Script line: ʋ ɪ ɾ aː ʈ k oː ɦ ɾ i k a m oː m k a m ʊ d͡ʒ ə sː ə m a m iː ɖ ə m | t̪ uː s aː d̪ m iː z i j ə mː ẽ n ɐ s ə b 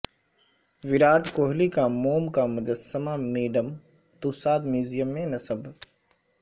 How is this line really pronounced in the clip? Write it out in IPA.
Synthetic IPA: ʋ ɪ ɾ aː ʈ k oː ɦ l i k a m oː m k a m ʊ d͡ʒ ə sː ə m a m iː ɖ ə m | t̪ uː s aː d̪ m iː z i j ə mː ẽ n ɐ s ə b